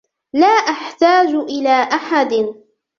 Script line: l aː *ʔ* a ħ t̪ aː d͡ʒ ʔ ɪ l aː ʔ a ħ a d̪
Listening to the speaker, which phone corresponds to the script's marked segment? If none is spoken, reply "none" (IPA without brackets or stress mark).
ʔ